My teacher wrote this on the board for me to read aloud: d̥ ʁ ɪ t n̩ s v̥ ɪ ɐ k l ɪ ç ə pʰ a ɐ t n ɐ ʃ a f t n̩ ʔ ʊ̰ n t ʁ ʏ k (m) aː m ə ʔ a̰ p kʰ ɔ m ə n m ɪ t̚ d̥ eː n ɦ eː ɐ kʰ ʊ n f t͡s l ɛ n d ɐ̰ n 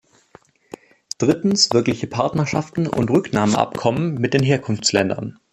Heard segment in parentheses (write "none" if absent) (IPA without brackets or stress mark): n